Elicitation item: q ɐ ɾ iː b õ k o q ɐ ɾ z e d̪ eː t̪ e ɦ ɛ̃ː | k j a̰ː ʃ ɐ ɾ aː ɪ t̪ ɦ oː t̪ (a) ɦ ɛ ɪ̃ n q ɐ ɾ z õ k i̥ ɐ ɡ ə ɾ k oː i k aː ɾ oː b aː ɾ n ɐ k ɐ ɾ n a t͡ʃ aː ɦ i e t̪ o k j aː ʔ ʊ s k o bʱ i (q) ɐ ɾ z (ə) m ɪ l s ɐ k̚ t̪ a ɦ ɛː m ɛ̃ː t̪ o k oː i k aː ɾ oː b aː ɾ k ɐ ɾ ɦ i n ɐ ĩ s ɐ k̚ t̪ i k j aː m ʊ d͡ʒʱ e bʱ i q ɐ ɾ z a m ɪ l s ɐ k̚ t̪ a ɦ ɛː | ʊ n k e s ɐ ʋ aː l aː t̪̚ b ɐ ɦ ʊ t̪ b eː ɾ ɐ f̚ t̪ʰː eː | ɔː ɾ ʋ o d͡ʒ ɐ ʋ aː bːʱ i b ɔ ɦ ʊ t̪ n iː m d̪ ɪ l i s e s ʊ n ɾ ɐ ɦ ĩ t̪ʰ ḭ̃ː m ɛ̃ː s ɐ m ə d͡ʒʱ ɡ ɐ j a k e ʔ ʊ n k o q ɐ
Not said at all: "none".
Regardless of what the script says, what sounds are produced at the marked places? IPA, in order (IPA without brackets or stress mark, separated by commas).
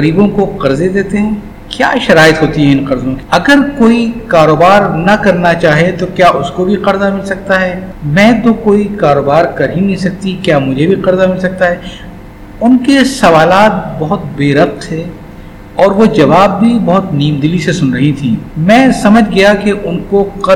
i, q, a